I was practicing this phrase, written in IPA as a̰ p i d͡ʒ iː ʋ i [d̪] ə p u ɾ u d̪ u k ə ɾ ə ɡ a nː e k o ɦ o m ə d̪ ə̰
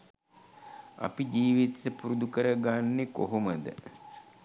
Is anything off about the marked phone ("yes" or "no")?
yes